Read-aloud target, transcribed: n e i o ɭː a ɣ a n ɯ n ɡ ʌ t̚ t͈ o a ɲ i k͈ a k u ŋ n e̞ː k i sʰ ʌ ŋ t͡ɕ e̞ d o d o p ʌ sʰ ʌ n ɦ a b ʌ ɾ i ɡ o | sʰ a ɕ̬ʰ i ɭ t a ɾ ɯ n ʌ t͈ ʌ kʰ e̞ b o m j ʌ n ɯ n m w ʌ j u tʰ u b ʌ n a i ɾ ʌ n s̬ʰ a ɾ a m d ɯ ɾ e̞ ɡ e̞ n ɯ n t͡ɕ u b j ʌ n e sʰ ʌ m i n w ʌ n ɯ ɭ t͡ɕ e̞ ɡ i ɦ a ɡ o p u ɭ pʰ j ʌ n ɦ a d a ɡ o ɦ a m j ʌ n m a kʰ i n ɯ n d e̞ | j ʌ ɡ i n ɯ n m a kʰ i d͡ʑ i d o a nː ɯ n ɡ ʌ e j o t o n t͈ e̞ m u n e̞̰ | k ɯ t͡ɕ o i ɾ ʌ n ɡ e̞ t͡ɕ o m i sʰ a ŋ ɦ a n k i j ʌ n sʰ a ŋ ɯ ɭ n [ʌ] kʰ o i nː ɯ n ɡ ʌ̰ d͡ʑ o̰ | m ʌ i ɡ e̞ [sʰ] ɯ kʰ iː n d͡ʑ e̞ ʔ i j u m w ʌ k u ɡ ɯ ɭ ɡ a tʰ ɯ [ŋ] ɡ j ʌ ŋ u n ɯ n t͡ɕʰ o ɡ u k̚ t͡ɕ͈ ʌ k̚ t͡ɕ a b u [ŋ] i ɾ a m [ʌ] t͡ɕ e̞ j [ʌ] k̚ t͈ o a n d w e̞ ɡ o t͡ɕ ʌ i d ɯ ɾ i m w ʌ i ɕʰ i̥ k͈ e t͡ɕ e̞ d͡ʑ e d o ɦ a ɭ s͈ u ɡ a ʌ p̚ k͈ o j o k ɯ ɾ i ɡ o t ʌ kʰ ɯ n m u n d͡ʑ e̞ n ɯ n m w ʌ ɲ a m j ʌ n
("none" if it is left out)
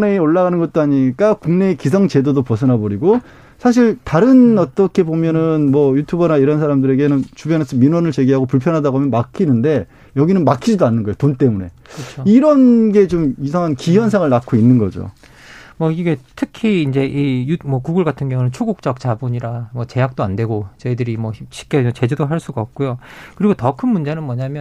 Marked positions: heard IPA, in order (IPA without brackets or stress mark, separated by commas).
a, tʰ, n, ɲ, ʌ, a